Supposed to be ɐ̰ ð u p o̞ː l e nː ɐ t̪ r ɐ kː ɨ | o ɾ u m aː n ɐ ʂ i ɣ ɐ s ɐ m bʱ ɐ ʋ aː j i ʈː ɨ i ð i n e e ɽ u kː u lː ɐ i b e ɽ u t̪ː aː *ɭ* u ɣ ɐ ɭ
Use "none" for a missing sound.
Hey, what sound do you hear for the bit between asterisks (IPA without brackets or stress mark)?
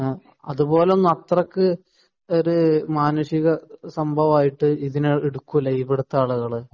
ɭ